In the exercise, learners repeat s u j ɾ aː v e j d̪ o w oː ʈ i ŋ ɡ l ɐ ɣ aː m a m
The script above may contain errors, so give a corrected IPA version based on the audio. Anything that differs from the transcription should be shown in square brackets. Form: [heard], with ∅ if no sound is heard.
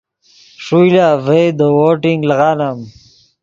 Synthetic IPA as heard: [ʂ] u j [l] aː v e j d̪ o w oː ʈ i ŋ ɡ l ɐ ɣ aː [n] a m